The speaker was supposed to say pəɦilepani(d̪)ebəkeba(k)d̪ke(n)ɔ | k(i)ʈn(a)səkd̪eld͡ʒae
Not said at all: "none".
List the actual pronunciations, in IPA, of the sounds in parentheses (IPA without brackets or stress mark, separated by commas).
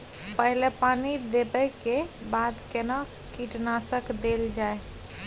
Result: d̪, none, n, i, a